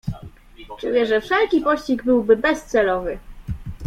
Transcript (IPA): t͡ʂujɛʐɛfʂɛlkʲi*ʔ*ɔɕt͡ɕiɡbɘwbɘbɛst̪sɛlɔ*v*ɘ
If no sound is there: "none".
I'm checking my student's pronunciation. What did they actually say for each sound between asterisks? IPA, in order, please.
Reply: p, v

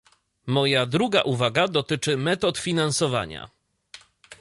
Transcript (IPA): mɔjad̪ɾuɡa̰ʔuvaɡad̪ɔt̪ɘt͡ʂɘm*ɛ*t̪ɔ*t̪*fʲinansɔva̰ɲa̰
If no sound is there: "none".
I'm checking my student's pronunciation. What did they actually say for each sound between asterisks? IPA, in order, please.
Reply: ɛ, t̪

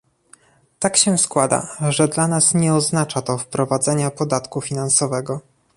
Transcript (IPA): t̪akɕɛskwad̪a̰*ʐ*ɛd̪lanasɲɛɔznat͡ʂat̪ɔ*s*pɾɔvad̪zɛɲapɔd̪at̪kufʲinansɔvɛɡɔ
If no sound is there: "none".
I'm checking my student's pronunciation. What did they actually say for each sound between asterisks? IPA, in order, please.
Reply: ʐ, f

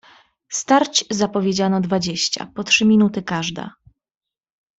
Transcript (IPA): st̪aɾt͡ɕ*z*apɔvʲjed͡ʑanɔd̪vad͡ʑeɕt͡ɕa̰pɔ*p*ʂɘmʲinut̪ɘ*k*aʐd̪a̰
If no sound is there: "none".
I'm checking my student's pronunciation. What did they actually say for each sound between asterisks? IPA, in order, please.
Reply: z, t, k

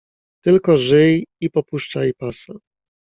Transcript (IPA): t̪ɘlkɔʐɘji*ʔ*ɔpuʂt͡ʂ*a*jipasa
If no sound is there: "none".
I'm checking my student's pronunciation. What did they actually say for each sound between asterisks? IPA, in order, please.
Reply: p, a

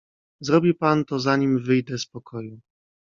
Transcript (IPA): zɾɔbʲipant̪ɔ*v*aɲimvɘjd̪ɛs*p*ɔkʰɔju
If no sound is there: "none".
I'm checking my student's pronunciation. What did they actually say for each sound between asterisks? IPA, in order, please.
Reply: z, p

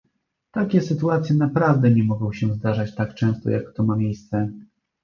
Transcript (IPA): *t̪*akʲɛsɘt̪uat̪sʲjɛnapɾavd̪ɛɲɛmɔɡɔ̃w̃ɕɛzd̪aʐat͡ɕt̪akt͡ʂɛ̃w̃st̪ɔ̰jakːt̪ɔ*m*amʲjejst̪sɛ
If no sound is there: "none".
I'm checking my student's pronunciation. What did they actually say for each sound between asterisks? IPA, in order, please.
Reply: t̪, m

